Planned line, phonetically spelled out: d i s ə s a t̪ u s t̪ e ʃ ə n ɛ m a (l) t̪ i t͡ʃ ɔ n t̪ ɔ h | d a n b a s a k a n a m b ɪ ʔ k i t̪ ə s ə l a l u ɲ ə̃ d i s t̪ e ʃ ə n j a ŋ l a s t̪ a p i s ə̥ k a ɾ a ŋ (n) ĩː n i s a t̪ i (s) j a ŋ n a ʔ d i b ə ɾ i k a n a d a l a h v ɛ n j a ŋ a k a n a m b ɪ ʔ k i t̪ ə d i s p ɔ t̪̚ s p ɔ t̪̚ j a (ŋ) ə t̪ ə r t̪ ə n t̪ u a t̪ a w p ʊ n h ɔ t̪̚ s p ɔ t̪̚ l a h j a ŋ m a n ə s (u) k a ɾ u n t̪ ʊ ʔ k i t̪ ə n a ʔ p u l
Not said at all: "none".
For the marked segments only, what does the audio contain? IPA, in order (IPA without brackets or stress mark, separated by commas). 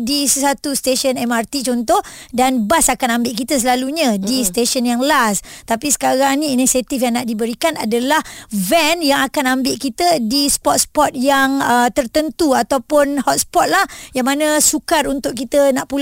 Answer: r, n, f, ŋ, u